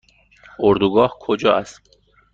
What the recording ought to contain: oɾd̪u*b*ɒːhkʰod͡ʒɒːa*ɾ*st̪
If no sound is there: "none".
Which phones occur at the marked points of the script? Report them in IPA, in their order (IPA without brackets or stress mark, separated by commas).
ɡ, none